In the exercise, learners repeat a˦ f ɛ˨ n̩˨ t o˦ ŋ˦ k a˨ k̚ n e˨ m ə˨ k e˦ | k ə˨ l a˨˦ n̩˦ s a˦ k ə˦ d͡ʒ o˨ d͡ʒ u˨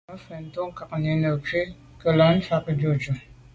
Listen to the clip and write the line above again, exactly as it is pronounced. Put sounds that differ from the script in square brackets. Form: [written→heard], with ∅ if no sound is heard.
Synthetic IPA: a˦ f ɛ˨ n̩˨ t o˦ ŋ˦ k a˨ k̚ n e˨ [m→n] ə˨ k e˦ | k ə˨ l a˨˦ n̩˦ [s→f] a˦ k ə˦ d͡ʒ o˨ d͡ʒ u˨